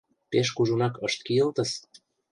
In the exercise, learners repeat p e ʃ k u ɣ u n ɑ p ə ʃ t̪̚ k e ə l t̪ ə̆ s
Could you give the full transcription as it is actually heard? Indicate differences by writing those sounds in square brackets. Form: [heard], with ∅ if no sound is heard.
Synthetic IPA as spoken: p e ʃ k u [ʒ] u n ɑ [k] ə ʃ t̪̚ k [i] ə l t̪ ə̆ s

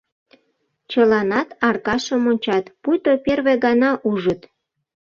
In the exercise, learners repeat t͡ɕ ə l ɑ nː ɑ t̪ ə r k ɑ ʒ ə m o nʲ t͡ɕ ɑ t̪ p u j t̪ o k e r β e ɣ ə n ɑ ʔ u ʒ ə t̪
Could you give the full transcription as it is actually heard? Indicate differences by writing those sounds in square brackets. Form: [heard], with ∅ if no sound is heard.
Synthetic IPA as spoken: t͡ɕ ə l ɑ [n] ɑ t̪ [ɑ] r k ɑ [ʃ] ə m o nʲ t͡ɕ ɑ t̪ p u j t̪ o [p] e r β e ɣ [ɑ] n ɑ ʔ u ʒ ə t̪

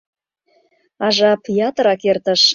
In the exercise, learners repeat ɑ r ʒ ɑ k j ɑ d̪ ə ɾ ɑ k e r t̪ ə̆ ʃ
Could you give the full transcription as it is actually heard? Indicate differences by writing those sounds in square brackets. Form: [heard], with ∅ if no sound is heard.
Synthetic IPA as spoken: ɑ [∅] ʒ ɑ [p] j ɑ [t̪] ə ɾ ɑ k e r t̪ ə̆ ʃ

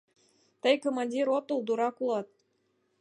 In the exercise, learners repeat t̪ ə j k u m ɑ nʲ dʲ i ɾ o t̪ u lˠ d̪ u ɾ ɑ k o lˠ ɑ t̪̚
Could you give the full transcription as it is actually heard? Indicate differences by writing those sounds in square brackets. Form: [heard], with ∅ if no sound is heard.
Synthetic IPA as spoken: t̪ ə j k [o] m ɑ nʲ dʲ i ɾ o t̪ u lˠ d̪ u ɾ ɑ k [u] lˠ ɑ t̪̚

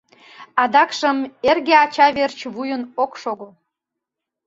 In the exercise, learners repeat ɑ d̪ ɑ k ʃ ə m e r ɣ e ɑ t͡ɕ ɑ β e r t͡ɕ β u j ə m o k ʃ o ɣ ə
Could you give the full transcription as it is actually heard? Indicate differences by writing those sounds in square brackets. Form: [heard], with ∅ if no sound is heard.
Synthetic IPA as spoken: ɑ d̪ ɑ k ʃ ə m e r ɣ e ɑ t͡ɕ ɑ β e r t͡ɕ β u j ə [n] o k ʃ o ɣ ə

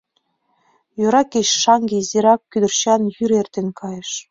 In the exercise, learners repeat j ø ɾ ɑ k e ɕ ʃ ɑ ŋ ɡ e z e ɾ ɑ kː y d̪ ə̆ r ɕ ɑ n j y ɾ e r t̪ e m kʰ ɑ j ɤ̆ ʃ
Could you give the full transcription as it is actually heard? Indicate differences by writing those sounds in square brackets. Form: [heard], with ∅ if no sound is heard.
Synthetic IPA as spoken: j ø ɾ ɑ k e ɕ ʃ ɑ ŋ ɡ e z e ɾ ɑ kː y d̪ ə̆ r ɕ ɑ n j y ɾ e r t̪ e [n] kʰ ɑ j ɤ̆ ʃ

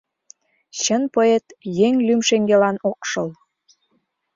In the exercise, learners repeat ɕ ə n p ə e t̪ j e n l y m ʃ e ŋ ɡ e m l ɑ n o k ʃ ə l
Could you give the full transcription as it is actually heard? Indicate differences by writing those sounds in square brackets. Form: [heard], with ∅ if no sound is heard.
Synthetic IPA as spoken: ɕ ə n p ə e t̪ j e [ŋ] l y m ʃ e ŋ ɡ e [∅] l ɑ n o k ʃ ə l

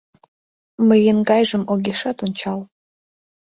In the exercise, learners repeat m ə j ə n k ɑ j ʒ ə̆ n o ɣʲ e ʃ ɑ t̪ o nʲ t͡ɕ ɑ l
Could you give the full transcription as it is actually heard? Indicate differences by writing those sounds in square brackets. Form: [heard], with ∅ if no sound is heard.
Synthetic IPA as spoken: m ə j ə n [ɡ] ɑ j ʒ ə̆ [m] o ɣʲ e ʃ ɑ t̪ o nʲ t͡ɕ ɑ l

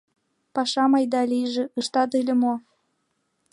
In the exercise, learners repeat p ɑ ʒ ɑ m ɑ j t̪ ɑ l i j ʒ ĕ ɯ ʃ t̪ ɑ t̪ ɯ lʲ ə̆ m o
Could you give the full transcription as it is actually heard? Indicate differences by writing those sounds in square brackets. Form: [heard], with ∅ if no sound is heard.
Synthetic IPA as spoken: p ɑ [ʃ] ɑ m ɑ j [d̪] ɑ l i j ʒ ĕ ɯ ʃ t̪ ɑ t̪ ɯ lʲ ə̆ m o

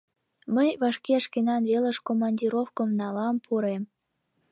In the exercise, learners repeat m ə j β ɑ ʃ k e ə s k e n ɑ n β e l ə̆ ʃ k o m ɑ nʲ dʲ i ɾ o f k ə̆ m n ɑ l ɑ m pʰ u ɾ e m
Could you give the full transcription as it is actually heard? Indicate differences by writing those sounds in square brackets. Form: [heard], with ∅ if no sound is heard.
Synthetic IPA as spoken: m ə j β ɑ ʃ k e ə [ʃ] k e n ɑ n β e l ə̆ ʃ k o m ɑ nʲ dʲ i ɾ o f k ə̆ m n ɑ l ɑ m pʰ u ɾ e m

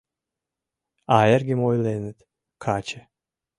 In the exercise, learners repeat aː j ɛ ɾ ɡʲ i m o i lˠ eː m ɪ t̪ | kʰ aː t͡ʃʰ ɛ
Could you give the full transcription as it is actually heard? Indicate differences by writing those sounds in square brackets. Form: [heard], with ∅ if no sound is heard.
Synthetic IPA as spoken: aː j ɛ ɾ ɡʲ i m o [j] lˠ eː [n] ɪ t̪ | kʰ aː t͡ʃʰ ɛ

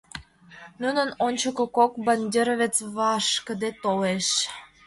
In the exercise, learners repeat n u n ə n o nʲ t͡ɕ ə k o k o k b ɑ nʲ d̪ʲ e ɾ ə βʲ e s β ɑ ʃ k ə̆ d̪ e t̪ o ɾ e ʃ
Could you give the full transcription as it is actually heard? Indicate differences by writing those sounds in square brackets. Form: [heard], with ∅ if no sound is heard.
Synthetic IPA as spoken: n u n ə n o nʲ t͡ɕ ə k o k o k b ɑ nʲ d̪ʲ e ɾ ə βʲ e [t͡s] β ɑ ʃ k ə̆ d̪ e t̪ o [l] e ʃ

